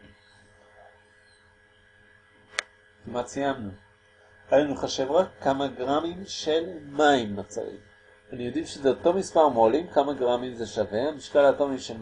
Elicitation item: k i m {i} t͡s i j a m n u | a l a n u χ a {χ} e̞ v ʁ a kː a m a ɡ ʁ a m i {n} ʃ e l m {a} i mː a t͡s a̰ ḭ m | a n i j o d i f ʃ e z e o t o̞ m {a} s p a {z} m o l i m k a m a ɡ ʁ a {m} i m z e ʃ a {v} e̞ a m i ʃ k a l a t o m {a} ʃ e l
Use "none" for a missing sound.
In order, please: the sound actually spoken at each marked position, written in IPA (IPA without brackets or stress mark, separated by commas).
a, ʃ, m, a, i, ʁ, m, v, i